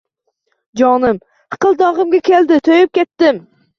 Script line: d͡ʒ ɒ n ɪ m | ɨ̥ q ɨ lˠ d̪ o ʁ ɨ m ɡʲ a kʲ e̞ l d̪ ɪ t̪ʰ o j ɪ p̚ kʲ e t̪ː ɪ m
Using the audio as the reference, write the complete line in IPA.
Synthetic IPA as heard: d͡ʒ ɒ n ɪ m | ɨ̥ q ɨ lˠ d̪ ɒ ʁ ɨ m ɡʲ a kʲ e̞ l d̪ ɪ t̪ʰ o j ɪ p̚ kʲ e t̪ː ɪ m